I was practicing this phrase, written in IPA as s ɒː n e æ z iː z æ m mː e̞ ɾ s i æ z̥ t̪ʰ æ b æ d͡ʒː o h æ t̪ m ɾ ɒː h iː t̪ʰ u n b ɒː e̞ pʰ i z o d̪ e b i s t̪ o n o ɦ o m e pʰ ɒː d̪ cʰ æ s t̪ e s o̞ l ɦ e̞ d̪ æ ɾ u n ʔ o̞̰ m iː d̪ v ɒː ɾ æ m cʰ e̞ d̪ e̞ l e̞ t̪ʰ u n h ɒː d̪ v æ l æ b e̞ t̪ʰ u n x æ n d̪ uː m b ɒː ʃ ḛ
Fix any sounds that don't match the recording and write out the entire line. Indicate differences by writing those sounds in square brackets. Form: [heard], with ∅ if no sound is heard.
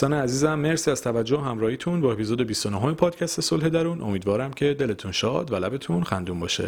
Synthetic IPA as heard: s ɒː n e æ z iː z æ m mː e̞ ɾ s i æ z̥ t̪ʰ æ [v] æ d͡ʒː o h æ [∅] m ɾ ɒː h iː t̪ʰ u n b ɒː e̞ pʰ i z o d̪ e b i s t̪ o n o ɦ o m e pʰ ɒː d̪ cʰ æ s t̪ e s o̞ l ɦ e̞ d̪ æ ɾ u n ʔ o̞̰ m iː d̪ v ɒː ɾ æ m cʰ e̞ d̪ e̞ l e̞ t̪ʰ u n [ʃ] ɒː d̪ v æ l æ b e̞ t̪ʰ u n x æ n d̪ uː m b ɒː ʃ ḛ